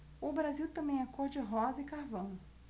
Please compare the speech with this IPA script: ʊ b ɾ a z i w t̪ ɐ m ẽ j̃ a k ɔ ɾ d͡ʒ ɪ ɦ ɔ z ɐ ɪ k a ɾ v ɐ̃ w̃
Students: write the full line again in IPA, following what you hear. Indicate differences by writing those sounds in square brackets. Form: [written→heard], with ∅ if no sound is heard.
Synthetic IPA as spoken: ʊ b ɾ a z i w t̪ [ɐ→ɐ̃] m ẽ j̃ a k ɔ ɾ d͡ʒ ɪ ɦ ɔ z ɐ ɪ k a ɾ v ɐ̃ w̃